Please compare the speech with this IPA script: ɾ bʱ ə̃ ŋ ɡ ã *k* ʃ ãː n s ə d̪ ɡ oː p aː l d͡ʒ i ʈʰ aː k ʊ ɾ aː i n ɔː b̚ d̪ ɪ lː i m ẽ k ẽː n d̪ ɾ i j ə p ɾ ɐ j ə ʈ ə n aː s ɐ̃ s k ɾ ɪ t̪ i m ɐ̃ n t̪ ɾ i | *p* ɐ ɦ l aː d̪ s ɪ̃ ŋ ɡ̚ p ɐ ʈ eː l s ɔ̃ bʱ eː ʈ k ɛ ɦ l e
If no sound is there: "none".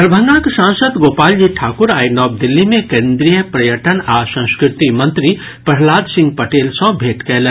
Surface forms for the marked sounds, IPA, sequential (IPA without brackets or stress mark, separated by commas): k, p